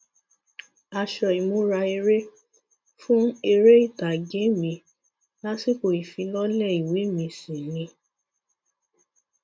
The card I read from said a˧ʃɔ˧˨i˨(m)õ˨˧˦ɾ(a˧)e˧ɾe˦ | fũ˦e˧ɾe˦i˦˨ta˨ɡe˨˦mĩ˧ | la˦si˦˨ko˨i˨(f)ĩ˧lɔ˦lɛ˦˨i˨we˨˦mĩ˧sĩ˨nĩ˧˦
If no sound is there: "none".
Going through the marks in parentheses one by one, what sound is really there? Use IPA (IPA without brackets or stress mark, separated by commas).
m, a˧, f